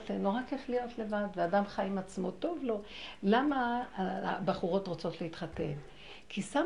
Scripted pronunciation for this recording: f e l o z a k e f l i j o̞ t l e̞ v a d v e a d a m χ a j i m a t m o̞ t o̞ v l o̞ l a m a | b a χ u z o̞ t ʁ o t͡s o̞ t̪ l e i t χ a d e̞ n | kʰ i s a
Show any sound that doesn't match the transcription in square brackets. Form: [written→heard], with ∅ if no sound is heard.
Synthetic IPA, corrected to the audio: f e l o [z→ʁ] a k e f l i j o̞ t l e̞ v a d v e a d a m χ a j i m a [t→t͡s] m o̞ t o̞ v l o̞ l a m a | b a χ u [z→ʁ] o̞ t ʁ o t͡s o̞ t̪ l e i t χ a [d→t] e̞ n | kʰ i s a